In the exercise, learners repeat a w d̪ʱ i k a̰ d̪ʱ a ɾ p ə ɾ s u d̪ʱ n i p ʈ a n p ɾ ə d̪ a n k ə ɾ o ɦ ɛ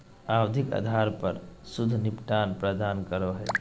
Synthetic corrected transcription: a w d̪ʱ i k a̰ d̪ʱ a ɾ p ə ɾ s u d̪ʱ n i p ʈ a n p ɾ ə d̪ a n k ə ɾ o ɦ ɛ